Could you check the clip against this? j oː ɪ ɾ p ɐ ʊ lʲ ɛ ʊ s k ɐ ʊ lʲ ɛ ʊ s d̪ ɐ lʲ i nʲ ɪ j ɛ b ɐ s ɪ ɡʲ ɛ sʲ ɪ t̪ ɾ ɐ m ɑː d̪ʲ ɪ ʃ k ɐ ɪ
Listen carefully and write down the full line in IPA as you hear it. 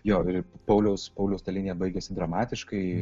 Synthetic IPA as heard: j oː ɪ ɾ p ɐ ʊ lʲ ɛ ʊ s p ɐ ʊ lʲ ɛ ʊ s t̪ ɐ lʲ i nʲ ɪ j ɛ b ɐ ɪ ɡʲ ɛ sʲ ɪ d̪ ɾ ɐ m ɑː t̪ʲ ɪ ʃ k ɐ ɪ

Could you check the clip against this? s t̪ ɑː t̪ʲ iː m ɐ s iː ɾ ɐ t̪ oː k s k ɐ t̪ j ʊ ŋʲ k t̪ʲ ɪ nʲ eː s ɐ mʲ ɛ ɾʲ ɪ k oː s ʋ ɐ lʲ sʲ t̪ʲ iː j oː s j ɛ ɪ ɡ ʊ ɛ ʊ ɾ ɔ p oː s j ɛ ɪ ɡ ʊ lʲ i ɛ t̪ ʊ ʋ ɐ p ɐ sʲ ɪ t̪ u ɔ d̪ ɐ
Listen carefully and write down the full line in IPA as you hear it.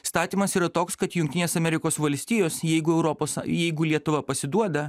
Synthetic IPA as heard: s t̪ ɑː t̪ʲ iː m ɐ s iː ɾ ɐ t̪ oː k s k ɐ t̪ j ʊ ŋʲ k t̪ʲ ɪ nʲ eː s ɐ mʲ ɛ ɾʲ ɪ k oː s ʋ ɐ lʲ sʲ t̪ʲ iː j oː s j ɛ ɪ ɡ ʊ ɛ ʊ ɾ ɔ p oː s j ɛ ɪ ɡ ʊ lʲ i ɛ t̪ ʊ ʋ ɐ p ɐ sʲ ɪ d̪ u ɔ d̪ ɐ

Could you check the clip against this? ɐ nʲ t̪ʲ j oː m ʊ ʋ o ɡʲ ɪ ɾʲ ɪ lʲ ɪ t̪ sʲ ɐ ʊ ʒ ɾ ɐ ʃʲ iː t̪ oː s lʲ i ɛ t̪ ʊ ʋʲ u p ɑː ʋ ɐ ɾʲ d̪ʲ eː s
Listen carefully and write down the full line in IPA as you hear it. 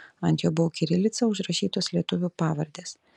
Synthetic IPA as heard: ɐ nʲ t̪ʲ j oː b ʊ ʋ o kʲ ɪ ɾʲ ɪ lʲ ɪ t̪ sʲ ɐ ʊ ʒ ɾ ɐ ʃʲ iː t̪ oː s lʲ i ɛ t̪ ʊ ʋʲ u p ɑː ʋ ɐ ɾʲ d̪ʲ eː s

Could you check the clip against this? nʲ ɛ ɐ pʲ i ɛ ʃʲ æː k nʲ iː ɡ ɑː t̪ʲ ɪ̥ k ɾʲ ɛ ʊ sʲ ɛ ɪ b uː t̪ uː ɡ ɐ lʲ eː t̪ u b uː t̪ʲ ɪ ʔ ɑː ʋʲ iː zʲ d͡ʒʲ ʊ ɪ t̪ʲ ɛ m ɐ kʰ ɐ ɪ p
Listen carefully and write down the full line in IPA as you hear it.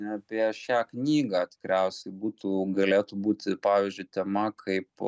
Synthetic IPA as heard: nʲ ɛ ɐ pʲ i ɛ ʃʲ æː k nʲ iː ɡ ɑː t̪ʲ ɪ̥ k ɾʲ ɛ ʊ sʲ ɛ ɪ b uː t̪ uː ɡ ɐ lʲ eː t̪ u b uː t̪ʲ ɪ p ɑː ʋʲ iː zʲ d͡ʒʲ ʊ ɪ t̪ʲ ɛ m ɐ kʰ ɐ ɪ p

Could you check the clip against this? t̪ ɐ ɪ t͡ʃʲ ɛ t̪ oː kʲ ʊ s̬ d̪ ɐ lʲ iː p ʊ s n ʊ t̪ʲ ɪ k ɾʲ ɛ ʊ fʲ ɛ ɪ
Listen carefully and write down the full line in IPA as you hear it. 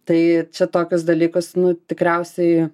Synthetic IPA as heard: t̪ ɐ ɪ t͡ʃʲ ɛ t̪ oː kʲ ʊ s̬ d̪ ɐ lʲ iː k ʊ s n ʊ t̪ʲ ɪ k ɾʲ ɛ ʊ sʲ ɛ ɪ

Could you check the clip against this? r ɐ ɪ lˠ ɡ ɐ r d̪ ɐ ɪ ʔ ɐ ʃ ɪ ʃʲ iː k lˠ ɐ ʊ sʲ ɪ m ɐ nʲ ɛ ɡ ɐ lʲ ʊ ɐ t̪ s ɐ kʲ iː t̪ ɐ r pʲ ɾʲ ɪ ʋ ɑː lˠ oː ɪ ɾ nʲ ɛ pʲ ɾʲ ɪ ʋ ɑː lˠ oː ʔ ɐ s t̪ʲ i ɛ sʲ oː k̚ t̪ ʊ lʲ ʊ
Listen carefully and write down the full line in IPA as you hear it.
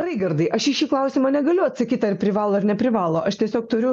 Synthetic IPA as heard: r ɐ ɪ ɡ ɐ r d̪ ɐ ɪ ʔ ɐ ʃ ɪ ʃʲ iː k lˠ ɐ ʊ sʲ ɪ m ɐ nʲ ɛ ɡ ɐ lʲ ʊ ɐ t̪ s ɐ kʲ iː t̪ ɐ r pʲ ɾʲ ɪ ʋ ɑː lˠ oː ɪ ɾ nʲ ɛ pʲ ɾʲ ɪ ʋ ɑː lˠ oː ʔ ɐ ʃ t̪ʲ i ɛ sʲ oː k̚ t̪ ʊ ɾʲ ʊ

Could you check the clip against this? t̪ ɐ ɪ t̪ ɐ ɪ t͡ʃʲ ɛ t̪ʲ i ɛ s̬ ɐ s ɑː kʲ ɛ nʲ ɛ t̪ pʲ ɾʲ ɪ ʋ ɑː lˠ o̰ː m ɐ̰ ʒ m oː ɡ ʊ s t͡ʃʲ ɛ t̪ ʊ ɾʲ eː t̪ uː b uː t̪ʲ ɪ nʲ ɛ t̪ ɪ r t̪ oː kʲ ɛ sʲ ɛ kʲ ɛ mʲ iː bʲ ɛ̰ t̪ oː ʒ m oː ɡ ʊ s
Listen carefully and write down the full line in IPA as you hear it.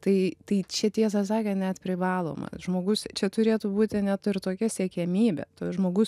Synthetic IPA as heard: t̪ ɐ ɪ t̪ ɐ ɪ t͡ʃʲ ɛ t̪ʲ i ɛ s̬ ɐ s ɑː kʲ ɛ nʲ ɛ t̪ pʲ ɾʲ ɪ ʋ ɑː lˠ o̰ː m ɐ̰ ʒ m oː ɡ ʊ s t͡ʃʲ ɛ t̪ ʊ ɾʲ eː t̪ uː b uː t̪ʲ ɪ nʲ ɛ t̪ ɪ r t̪ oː kʲ ɛ sʲ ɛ kʲ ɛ mʲ iː bʲ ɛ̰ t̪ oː ʒ m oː ɡ ʊ s

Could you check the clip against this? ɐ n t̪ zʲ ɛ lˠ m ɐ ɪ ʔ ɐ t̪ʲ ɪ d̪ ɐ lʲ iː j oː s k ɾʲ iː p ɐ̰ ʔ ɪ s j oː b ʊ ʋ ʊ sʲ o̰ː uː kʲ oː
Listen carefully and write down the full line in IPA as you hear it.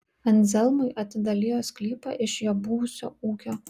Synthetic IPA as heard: ɐ n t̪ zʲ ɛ lˠ m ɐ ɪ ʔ ɐ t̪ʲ ɪ d̪ ɐ lʲ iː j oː s k lʲ iː p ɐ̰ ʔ ɪ ʃ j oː b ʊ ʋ ʊ sʲ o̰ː uː kʲ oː

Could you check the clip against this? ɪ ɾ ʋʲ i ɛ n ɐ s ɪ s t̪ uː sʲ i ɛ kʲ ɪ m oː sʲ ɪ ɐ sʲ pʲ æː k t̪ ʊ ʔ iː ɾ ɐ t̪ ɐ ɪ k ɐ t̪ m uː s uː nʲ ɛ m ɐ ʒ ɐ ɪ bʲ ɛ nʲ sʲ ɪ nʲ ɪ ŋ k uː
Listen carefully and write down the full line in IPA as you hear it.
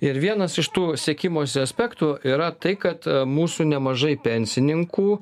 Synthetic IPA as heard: ɪ ɾ ʋʲ i ɛ n ɐ s ɪ ʃ t̪ uː sʲ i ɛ kʲ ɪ m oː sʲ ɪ ɐ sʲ pʲ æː k t̪ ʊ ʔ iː ɾ ɐ t̪ ɐ ɪ k ɐ t̪ m uː s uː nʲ ɛ m ɐ ʒ ɐ ɪ pʲ ɛ nʲ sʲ ɪ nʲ ɪ ŋ k uː

